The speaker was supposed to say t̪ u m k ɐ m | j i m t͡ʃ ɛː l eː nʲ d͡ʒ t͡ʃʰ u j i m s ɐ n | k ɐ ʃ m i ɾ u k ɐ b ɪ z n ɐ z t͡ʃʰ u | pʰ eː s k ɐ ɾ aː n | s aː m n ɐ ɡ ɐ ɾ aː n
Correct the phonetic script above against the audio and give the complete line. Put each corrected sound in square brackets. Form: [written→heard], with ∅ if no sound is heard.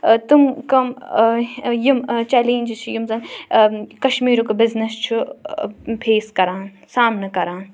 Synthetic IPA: t̪ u m k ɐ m | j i m t͡ʃ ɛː l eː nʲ d͡ʒ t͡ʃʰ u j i m [s→z] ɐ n | k ɐ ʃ m [i→iː] ɾ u k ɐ b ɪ z n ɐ [z→s] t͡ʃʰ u | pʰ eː s k ɐ ɾ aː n | s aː m n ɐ [ɡ→k] ɐ ɾ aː n

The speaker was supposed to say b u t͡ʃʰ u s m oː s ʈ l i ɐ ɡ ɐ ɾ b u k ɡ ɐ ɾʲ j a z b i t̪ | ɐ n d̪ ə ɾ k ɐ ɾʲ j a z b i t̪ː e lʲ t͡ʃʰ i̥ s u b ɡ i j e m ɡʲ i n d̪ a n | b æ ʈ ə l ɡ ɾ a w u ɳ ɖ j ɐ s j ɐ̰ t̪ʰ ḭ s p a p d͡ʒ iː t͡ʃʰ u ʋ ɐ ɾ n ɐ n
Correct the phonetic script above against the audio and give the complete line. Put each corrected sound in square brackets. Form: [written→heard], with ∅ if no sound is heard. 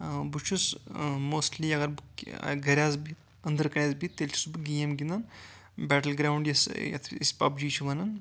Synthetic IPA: b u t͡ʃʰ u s m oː s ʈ l i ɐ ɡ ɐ ɾ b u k ɡ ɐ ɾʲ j a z b i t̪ | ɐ n d̪ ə ɾ k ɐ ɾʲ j a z b i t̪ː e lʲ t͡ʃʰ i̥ s u b ɡ i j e m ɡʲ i n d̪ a n | b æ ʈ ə l ɡ ɾ a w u ɳ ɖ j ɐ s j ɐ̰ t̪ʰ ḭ s p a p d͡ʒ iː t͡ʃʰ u ʋ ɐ [ɾ→∅] n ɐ n

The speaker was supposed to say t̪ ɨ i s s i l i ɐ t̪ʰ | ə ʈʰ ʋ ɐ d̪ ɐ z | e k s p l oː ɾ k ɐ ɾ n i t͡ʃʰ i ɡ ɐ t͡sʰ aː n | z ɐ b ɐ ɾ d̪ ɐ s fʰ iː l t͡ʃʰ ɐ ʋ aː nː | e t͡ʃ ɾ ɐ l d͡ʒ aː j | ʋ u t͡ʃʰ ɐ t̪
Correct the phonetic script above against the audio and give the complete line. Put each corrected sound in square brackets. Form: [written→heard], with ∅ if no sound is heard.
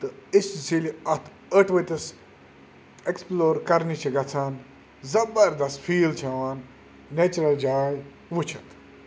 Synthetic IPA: t̪ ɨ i s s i l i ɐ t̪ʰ | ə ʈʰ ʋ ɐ [d̪→t̪] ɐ [z→s] | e k s p l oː ɾ k ɐ ɾ n i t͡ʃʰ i ɡ ɐ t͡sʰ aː n | z ɐ b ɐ ɾ d̪ ɐ s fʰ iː l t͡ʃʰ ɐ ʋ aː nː | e t͡ʃ ɾ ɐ l d͡ʒ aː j | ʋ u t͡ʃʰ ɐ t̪

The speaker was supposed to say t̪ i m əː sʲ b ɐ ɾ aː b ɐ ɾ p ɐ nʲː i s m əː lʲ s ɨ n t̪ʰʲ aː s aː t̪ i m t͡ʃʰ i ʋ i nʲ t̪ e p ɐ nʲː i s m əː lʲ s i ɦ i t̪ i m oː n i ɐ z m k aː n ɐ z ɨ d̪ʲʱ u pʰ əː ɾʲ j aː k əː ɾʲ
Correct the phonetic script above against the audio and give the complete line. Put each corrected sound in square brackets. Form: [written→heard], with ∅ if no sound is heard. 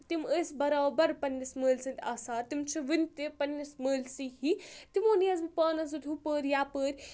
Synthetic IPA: t̪ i m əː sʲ b ɐ ɾ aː b ɐ ɾ p ɐ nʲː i s m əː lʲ s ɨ n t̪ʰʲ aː s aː t̪ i m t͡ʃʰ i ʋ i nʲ t̪ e p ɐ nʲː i s m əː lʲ s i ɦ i t̪ i m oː n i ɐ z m [k→p] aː n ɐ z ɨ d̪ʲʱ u [pʰ→p] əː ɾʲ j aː [k→p] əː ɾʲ

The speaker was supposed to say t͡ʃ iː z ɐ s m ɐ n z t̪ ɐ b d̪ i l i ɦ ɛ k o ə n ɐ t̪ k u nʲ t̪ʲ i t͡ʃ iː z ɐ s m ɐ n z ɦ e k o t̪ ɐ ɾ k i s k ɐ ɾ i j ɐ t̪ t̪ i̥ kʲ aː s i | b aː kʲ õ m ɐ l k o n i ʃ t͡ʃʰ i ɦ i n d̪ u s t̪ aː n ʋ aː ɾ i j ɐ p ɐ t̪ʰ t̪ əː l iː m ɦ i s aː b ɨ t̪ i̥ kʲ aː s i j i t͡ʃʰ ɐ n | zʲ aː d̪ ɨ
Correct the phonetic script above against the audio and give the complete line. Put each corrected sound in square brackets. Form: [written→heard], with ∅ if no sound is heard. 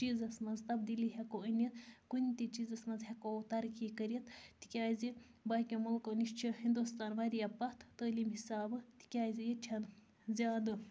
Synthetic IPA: t͡ʃ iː z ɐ s m ɐ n z t̪ ɐ b d̪ i l i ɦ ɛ k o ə n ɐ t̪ k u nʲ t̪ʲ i t͡ʃ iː z ɐ s m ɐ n z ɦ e k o t̪ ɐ ɾ k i [s→∅] k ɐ ɾ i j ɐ t̪ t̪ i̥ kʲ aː [s→z] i | b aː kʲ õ m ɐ l k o n i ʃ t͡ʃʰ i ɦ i n d̪ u s t̪ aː n ʋ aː ɾ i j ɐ p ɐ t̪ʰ t̪ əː l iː m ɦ i s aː b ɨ t̪ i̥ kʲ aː [s→z] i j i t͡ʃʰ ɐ n | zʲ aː d̪ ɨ

